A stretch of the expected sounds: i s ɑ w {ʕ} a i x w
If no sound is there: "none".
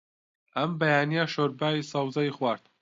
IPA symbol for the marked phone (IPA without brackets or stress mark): z